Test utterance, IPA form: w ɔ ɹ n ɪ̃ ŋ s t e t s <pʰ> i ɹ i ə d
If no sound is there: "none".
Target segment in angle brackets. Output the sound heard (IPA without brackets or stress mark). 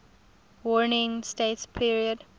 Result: pʰ